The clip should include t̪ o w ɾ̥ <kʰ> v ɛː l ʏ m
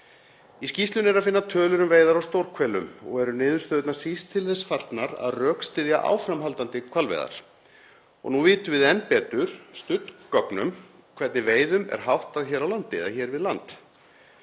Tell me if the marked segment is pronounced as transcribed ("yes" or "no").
yes